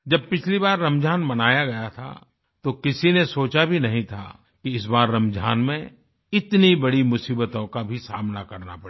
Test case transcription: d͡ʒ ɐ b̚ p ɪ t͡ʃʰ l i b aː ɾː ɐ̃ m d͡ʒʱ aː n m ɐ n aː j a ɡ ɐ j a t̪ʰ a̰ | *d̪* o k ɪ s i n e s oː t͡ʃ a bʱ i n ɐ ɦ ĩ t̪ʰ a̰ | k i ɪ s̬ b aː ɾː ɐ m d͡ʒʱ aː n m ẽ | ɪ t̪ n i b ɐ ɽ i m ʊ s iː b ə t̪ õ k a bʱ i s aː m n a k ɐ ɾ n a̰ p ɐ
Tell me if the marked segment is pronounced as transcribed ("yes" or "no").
no